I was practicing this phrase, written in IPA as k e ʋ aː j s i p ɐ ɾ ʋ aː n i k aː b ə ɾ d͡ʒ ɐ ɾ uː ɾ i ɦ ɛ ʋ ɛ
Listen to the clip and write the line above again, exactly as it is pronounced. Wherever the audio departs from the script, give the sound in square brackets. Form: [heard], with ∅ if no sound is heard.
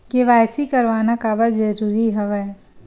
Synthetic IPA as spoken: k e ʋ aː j s i [k] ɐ ɾ ʋ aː n [a] k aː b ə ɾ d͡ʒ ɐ ɾ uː ɾ i ɦ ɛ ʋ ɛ